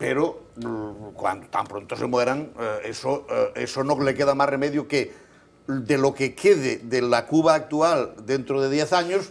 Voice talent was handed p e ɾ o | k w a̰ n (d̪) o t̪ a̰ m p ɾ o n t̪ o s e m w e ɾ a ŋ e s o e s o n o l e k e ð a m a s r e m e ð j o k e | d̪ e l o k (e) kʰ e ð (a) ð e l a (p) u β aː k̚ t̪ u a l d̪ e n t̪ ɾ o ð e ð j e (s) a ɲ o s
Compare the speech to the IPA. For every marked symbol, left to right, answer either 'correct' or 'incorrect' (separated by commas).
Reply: correct, correct, incorrect, incorrect, incorrect